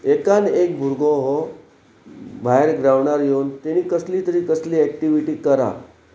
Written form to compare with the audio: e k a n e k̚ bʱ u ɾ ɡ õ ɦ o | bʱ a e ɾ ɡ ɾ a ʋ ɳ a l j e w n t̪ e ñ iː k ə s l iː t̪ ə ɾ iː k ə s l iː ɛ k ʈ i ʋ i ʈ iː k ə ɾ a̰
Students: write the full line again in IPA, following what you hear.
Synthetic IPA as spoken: e k a n e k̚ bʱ u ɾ ɡ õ ɦ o | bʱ a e ɾ ɡ ɾ a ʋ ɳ a ɾ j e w n t̪ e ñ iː k ə s l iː t̪ ə ɾ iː k ə s l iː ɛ k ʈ i ʋ i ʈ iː k ə ɾ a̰

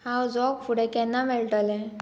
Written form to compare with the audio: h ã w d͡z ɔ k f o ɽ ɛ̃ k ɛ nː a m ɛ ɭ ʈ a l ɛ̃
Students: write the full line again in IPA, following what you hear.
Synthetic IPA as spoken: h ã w d͡z ɔ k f u ɽ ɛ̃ k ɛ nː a m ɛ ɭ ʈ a l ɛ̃

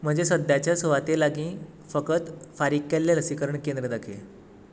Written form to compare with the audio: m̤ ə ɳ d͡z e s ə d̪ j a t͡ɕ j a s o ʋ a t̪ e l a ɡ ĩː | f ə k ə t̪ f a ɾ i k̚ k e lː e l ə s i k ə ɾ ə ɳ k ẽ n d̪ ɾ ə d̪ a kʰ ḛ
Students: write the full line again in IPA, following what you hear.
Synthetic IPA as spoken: m̤ ə ɳ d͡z e s ə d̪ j a t͡ɕ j a s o ʋ a t̪ e l a ɡ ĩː | f ə k ə t̪ f a ɾ i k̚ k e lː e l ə s i k ə ɾ ə ɳ k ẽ n d̪ ɾ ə d̪ a kʰ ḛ

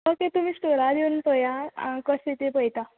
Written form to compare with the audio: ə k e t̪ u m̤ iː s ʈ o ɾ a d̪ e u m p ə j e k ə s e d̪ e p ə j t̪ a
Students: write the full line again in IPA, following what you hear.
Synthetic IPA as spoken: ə k e t̪ u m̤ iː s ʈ o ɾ a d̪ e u n p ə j a k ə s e t̪ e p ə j t̪ a

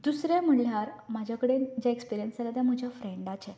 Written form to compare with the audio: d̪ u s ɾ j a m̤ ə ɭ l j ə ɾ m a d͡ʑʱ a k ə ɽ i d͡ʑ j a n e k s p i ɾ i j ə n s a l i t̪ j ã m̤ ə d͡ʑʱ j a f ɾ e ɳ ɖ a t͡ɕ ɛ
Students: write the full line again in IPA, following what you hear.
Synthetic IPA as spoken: d̪ u s ɾ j a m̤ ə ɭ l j a ɾ m a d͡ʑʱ a k ə ɽ e d͡ʑ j a e k s p i ɾ i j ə n s a l a t̪ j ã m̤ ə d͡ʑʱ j a f ɾ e ɳ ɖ a t͡ɕ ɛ

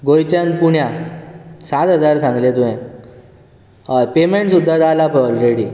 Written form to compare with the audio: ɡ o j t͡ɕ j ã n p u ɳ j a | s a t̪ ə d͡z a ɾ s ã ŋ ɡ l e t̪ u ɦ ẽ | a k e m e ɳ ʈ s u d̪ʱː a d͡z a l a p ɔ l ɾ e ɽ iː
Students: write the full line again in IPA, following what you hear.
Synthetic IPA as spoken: ɡ o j t͡ɕ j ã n p u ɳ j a | s a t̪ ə d͡z a ɾ s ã ŋ ɡ l e t̪ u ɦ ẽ | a p e m e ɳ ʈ s u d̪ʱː a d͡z a l a p ɔ l ɾ e ɽ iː

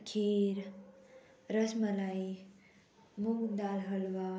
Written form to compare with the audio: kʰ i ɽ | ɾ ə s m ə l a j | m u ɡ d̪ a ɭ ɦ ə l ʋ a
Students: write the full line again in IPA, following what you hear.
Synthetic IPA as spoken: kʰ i ɾ | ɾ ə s m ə l a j | m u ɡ d̪ a l ɦ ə l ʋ a

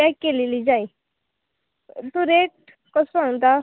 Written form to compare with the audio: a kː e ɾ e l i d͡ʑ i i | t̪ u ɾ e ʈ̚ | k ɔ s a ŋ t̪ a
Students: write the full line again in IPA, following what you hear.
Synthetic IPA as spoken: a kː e l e l i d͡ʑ a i | t̪ u ɾ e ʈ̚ | k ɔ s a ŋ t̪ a

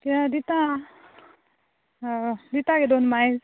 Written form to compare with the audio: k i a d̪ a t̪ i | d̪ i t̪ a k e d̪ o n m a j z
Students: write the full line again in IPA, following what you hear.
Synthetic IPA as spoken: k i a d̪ i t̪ a | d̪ i t̪ a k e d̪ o n m a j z

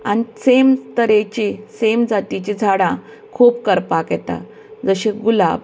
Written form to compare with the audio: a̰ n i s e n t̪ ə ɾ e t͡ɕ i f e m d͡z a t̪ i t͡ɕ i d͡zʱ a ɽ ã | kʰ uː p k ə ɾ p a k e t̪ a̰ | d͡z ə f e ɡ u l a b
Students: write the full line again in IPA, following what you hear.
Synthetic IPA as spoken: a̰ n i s e m t̪ ə ɾ e t͡ɕ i s e m d͡z a t̪ i t͡ɕ i d͡zʱ a ɽ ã | kʰ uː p k ə ɾ p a k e t̪ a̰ | d͡z ə ɕ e ɡ u l a b

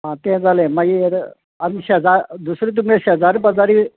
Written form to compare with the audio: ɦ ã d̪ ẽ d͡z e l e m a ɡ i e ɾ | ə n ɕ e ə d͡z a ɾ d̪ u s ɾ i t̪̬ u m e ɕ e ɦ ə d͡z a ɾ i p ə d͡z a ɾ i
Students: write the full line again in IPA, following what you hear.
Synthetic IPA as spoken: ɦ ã t̪ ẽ d͡z a l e m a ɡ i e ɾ | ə n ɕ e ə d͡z a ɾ d̪ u s ɾ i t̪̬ u m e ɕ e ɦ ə d͡z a ɾ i p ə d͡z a ɾ i

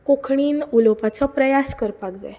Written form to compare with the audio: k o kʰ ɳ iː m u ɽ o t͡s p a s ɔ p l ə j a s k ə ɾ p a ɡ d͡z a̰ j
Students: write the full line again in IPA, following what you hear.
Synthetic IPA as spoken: k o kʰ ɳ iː n u l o p a t͡s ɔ p ɾ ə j a s k ə ɾ p a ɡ d͡z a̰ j

